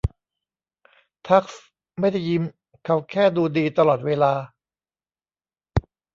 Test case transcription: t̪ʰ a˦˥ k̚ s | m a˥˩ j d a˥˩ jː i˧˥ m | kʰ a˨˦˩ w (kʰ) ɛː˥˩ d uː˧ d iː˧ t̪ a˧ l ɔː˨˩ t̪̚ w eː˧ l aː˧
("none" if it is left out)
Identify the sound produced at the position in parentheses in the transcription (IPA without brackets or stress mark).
kʰ